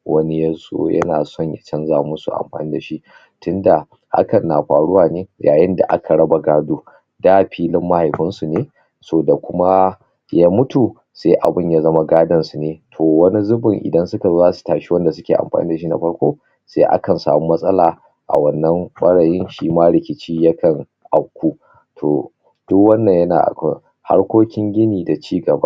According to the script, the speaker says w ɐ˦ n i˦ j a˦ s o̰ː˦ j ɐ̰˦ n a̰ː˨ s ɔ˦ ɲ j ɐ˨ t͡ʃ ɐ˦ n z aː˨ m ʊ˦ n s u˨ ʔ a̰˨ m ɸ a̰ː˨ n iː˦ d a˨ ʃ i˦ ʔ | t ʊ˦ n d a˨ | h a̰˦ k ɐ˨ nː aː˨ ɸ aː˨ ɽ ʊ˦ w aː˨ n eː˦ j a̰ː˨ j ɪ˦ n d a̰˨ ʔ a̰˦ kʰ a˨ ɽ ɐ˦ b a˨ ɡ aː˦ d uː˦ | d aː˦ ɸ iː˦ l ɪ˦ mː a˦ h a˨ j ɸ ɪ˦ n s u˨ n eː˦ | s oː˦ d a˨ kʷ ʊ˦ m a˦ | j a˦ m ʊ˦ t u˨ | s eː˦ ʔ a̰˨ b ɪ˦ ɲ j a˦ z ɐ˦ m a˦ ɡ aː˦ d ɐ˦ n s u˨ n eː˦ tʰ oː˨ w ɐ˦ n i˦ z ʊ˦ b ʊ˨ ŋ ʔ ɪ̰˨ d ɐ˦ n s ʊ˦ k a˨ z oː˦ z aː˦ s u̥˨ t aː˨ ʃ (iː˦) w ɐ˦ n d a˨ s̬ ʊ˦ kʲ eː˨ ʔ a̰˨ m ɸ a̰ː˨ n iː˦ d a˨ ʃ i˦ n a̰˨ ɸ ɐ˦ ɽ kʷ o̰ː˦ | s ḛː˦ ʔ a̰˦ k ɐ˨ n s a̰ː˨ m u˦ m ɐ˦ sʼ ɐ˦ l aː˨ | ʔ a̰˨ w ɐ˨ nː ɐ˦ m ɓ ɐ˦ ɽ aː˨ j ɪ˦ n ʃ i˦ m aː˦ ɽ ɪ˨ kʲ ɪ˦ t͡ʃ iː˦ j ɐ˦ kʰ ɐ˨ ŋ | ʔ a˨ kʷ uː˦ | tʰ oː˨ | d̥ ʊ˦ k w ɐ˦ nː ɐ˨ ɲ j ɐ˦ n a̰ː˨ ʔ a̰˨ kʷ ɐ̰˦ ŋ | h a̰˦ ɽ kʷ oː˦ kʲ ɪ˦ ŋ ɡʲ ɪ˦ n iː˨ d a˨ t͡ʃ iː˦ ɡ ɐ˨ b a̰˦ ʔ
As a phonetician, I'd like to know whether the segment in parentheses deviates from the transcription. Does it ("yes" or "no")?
yes